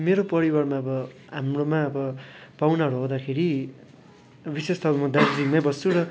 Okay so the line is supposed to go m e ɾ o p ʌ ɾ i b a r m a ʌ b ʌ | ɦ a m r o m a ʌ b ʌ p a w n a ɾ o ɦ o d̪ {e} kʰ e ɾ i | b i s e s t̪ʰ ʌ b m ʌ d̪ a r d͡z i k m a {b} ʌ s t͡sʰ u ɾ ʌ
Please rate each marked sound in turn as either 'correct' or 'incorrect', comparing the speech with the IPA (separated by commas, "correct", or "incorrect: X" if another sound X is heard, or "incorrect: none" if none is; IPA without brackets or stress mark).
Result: incorrect: a, correct